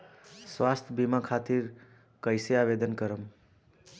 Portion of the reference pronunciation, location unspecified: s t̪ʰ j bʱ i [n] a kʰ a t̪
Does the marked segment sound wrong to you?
yes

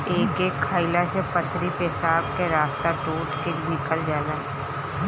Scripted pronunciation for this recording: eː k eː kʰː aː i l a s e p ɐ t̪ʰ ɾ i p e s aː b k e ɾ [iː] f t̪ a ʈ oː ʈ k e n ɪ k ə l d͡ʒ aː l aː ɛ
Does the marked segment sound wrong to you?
yes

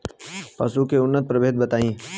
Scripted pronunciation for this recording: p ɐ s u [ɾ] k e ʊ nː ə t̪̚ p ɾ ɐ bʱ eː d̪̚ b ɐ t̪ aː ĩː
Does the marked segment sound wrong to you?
yes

